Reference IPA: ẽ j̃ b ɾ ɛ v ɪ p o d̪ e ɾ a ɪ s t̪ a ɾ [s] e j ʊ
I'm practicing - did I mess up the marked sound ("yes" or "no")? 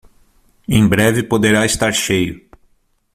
yes